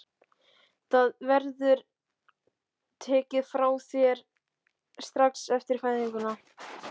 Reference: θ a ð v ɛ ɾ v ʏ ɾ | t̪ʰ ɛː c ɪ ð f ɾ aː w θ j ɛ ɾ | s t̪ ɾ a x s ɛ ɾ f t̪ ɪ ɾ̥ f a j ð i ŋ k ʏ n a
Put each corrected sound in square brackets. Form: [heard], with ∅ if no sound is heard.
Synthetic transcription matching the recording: θ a ð v ɛ ɾ [ð] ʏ ɾ | t̪ʰ ɛː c ɪ ð f ɾ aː w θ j ɛ ɾ | s t̪ ɾ a [k] s ɛ [∅] f t̪ ɪ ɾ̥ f a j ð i ŋ k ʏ n a

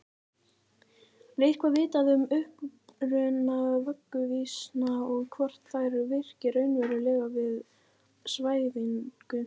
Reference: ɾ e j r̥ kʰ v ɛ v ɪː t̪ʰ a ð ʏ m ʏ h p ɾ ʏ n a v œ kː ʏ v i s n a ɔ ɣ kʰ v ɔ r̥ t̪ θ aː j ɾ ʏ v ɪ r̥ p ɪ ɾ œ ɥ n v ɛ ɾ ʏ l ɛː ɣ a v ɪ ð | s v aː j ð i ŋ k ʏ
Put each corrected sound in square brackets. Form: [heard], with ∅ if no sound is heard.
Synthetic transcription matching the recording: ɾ e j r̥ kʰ v [a] v ɪː [t̪] a ð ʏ m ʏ h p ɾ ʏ n a v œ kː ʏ v i s n a ɔ ɣ kʰ v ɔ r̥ t̪ θ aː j ɾ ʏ v ɪ r̥ [c] ɪ ɾ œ ɥ n v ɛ ɾ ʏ l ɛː ɣ a v ɪ ð | s v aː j ð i ŋ k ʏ

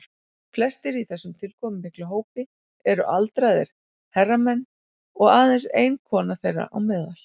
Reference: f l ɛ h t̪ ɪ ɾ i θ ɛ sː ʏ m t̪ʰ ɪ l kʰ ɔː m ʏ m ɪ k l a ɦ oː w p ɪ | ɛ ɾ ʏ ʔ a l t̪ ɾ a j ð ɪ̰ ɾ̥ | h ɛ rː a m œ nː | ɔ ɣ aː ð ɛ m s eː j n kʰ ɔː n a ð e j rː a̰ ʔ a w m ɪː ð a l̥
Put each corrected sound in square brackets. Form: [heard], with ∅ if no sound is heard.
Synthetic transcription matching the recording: f l ɛ [s] t̪ ɪ ɾ i θ ɛ sː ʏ m t̪ʰ ɪ l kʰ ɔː m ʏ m ɪ k l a ɦ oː w p ɪ | ɛ ɾ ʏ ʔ a l t̪ ɾ a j ð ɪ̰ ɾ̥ | h ɛ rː a m [ɛ] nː | ɔ ɣ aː ð ɛ [n] s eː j n kʰ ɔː n a [θ] e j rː a̰ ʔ a w m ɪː ð a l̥

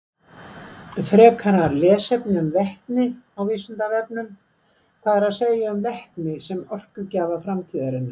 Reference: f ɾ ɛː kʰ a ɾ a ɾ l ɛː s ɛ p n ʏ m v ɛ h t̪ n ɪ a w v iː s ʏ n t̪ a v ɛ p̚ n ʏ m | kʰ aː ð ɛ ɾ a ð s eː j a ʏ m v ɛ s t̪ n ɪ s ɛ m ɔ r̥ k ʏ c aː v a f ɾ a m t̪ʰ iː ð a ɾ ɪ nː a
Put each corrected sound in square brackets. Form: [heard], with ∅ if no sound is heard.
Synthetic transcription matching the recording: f ɾ ɛː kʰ a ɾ a ɾ l ɛː s ɛ p n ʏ m v ɛ h t̪ n ɪ a w v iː s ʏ n t̪ a v ɛ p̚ n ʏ m | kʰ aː ð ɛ ɾ a ð s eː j a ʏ m v ɛ [h] t̪ n ɪ s ɛ m ɔ r̥ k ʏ c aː v a f ɾ a m t̪ʰ iː ð a ɾ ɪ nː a

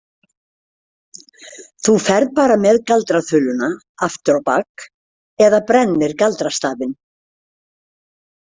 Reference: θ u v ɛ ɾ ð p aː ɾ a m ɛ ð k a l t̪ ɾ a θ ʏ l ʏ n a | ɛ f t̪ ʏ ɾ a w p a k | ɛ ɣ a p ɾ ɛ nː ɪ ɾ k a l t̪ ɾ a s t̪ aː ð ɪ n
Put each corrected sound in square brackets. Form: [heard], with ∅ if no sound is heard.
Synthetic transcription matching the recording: θ u [f] ɛ ɾ ð p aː ɾ a m ɛ ð k a l t̪ ɾ a θ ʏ l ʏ n a | [a] f t̪ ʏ ɾ a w p a k | ɛ [ð] a p ɾ ɛ nː ɪ ɾ k a l t̪ ɾ a s t̪ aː [v] ɪ n

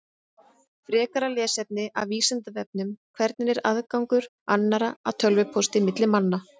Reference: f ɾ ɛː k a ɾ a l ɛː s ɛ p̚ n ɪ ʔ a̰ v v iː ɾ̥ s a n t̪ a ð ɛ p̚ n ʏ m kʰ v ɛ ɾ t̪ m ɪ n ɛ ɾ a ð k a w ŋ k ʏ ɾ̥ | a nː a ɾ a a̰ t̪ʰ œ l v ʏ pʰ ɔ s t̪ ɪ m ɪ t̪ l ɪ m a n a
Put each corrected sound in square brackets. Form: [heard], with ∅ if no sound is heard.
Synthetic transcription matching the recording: f ɾ ɛː k a ɾ a l ɛː s ɛ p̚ n ɪ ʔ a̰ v v iː [∅] s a n t̪ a [v] ɛ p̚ n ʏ m kʰ v ɛ ɾ t̪ [n] ɪ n ɛ ɾ a ð k a w ŋ k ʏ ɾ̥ | a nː a ɾ a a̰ t̪ʰ œ l v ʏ pʰ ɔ s t̪ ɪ m ɪ t̪ l ɪ m a [nː] a

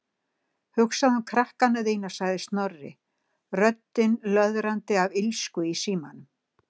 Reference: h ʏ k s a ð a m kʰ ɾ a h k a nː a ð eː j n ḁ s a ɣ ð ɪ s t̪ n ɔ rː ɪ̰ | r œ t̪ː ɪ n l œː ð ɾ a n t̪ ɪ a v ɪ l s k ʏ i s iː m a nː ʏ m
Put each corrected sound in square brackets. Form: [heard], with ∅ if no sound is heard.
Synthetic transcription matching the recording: h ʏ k s a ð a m kʰ ɾ a h k a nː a ð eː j n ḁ s a ɣ ð ɪ s t̪ n ɔ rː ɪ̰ | r œ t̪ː ɪ n l [œ] ð ɾ a n t̪ ɪ a v ɪ l s k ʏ i s iː m a [n] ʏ m

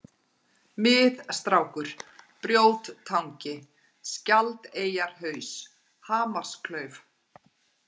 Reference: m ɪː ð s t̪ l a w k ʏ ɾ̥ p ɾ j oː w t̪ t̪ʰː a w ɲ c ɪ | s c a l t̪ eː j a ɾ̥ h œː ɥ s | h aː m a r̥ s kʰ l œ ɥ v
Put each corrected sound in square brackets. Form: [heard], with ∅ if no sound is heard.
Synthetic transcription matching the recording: m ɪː ð s t̪ [ɾ] a w k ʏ ɾ̥ p ɾ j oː w t̪ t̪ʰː a w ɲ c ɪ | s c a l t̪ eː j a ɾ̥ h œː ɥ s | h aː m a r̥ s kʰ l œ ɥ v

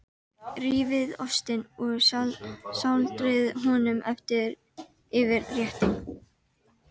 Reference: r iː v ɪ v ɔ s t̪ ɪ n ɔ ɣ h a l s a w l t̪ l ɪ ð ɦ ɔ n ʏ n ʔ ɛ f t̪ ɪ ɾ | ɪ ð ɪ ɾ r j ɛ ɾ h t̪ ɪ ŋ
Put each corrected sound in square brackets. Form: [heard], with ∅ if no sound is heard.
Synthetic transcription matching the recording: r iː v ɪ [ð] ɔ s t̪ ɪ n ɔ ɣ [s] a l s a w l t̪ [ɾ] ɪ ð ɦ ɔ n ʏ [m] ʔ ɛ f t̪ ɪ ɾ | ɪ [v] ɪ ɾ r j ɛ [∅] h t̪ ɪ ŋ

